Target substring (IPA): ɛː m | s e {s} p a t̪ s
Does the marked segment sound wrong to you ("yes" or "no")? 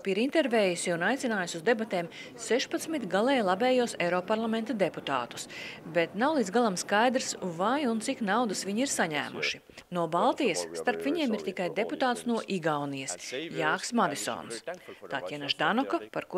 yes